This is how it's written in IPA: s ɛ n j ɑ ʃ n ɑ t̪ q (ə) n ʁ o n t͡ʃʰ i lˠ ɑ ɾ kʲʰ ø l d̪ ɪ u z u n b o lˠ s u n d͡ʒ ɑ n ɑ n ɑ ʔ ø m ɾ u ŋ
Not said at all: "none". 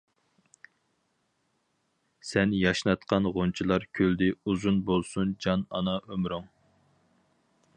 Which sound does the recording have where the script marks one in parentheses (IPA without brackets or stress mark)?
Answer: ɑ